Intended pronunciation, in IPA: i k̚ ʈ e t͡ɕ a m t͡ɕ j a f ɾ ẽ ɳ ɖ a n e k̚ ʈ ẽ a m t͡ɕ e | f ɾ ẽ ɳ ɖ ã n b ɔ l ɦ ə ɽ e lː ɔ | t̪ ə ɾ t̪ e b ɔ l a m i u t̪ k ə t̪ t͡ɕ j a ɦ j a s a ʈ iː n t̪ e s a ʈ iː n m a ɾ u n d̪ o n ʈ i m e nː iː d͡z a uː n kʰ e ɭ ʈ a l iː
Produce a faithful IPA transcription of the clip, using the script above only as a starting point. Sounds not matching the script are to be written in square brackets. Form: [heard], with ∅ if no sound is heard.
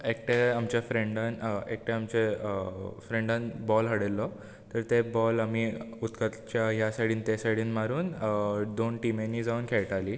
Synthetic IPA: [e] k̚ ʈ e [∅] a m t͡ɕ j a f ɾ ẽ ɳ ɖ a n e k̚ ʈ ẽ a m t͡ɕ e | f ɾ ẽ ɳ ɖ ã n b ɔ l ɦ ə ɽ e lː ɔ | t̪ ə ɾ t̪ e b ɔ l a m i u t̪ k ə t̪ t͡ɕ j a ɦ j a s a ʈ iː n t̪ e s a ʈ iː n m a ɾ [uː] n d̪ o n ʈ i m e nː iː d͡z a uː n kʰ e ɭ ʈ a l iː